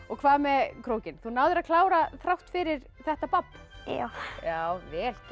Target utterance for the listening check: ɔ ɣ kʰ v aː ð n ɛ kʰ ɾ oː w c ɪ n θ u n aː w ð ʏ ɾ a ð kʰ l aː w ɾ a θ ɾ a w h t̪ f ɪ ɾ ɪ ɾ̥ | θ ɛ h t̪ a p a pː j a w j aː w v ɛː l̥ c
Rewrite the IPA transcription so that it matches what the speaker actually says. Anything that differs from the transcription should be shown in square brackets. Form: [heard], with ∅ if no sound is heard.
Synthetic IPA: ɔ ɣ kʰ v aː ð [m] ɛ kʰ ɾ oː w c ɪ n θ u n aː w ð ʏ ɾ a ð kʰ l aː w ɾ a θ ɾ a w h t̪ f ɪ ɾ ɪ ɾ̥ | θ ɛ h t̪ a p a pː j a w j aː w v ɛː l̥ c